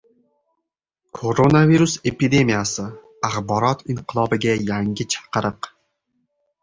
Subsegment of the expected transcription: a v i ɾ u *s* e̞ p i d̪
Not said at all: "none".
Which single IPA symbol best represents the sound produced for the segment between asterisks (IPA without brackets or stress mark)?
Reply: s